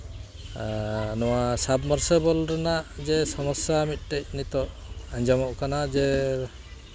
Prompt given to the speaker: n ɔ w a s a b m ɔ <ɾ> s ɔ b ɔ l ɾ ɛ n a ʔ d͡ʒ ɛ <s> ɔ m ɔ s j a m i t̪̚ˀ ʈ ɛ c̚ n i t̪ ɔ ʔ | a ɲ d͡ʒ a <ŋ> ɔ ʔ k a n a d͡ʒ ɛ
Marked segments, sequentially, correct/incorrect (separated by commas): correct, correct, incorrect